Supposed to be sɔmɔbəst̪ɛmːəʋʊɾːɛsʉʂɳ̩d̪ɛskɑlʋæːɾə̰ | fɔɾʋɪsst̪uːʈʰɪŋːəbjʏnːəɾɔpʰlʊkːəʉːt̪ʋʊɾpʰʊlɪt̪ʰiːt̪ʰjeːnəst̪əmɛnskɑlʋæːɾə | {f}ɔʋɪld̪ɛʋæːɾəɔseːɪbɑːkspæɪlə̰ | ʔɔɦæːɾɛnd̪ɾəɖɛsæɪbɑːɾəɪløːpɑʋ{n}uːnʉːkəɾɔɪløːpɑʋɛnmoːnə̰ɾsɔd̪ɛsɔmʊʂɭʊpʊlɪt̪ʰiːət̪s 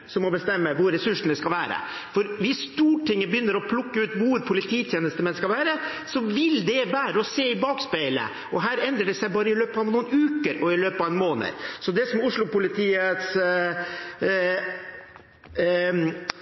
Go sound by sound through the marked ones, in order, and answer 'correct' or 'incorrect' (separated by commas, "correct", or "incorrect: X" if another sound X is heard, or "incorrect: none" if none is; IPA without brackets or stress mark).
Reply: incorrect: s, correct